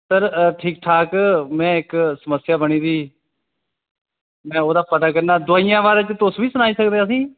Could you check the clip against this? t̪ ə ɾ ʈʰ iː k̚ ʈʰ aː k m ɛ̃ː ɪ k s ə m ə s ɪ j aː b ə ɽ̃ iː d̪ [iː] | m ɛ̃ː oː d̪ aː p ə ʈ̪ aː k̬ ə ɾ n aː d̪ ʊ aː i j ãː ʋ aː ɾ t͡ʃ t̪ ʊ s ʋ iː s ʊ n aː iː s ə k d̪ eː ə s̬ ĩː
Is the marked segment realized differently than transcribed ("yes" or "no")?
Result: no